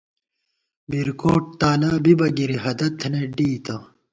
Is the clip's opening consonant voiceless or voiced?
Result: voiced